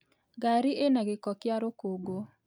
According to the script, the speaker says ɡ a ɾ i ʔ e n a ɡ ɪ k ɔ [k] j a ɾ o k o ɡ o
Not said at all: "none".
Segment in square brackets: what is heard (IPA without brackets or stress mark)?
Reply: k